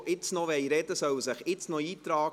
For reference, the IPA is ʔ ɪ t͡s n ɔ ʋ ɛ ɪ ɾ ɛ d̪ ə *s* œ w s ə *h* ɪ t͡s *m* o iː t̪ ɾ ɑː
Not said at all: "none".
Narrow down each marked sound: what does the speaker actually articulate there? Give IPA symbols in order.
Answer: s, χ, n

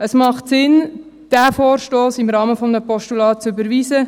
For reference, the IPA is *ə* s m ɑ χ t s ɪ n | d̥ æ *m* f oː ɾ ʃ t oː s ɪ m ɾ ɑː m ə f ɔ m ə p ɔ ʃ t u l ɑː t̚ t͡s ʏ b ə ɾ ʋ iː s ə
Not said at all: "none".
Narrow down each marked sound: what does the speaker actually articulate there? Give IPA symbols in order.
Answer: ə, none

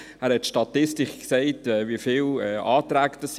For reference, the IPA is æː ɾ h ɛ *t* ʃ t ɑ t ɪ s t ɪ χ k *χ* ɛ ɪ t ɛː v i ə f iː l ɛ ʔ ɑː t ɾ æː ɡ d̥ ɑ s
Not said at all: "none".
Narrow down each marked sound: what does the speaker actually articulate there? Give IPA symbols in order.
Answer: t, s

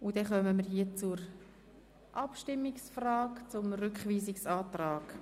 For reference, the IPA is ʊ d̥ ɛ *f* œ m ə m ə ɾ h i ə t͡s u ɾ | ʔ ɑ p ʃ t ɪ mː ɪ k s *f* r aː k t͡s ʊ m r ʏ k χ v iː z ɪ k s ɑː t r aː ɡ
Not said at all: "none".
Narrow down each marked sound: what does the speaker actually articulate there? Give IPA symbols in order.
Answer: χ, f

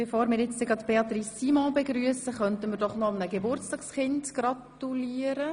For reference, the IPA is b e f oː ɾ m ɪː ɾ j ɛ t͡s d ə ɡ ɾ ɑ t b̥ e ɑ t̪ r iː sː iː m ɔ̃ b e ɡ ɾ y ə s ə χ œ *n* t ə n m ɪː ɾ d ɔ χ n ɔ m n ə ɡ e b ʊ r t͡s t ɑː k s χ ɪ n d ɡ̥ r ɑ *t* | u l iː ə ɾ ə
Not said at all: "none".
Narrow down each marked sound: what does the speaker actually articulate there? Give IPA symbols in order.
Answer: n, t

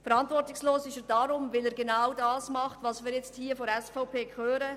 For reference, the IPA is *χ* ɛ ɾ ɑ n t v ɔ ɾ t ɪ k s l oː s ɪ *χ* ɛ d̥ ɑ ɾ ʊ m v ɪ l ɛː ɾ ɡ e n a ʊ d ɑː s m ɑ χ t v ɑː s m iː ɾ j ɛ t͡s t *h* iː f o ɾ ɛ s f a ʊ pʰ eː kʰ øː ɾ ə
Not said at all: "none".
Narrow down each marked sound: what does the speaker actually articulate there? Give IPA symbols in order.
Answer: f, ʃ, h

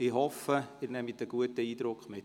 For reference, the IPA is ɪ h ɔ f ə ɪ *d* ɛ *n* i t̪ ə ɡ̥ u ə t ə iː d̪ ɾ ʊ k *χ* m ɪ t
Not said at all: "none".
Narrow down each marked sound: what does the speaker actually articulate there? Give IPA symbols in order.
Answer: n, m, χ

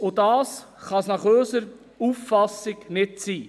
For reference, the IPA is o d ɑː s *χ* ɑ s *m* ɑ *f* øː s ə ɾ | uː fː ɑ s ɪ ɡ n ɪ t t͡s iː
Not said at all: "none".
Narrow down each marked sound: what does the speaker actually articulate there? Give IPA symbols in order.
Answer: χ, n, χ

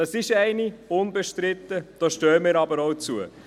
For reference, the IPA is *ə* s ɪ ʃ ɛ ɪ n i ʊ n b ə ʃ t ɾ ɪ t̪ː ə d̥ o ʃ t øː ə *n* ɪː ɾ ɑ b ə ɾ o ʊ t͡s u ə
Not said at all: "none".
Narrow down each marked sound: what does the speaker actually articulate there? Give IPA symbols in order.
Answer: ɑ, m

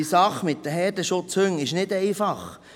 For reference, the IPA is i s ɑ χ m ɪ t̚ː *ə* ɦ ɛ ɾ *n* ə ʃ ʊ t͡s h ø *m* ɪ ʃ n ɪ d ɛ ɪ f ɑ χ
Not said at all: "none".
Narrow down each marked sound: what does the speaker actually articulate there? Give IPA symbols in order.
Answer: ə, d, ŋ

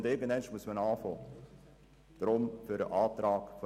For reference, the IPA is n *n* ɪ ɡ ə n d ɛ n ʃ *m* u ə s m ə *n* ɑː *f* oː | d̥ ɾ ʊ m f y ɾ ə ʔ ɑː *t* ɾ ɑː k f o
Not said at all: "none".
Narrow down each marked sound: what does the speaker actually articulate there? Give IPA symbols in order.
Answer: d, m, n, f, t

